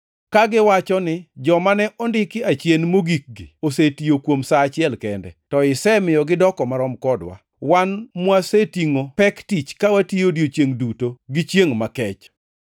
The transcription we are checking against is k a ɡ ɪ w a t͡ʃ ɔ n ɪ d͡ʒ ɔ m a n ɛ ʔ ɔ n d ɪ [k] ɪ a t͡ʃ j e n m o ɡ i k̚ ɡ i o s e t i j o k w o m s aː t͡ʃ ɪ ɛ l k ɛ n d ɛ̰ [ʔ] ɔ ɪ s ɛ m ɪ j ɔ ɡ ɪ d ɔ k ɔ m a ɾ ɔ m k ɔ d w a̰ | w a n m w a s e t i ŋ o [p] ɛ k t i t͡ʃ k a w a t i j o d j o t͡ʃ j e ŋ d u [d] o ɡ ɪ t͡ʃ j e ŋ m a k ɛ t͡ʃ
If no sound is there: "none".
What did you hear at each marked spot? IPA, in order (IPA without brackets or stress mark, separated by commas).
k, t, p, t